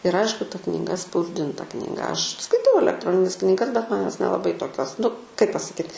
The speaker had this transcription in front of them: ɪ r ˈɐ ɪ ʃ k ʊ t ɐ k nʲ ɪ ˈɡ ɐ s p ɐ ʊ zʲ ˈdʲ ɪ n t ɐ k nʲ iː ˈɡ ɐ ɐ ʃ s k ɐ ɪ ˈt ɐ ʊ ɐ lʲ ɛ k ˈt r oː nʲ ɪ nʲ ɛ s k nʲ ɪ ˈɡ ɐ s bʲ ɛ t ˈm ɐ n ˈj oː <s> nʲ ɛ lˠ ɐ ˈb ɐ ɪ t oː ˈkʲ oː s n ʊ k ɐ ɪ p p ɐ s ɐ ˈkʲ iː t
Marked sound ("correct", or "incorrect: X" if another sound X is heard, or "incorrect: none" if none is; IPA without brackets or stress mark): correct